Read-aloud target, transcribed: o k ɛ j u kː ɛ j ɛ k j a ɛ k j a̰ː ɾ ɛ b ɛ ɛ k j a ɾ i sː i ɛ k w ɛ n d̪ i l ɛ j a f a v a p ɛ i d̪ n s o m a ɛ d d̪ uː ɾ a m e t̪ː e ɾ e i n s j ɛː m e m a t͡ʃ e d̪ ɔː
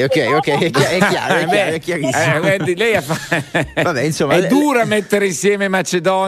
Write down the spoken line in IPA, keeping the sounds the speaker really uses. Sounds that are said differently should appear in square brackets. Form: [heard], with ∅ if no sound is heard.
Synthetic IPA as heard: o k ɛ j [o] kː ɛ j ɛ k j a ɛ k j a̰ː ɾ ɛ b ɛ ɛ k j a ɾ i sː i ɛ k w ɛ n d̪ i l ɛ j a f a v a [b] ɛ i [∅] n s o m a ɛ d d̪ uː ɾ a m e t̪ː e ɾ e i n s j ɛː m e m a t͡ʃ e d̪ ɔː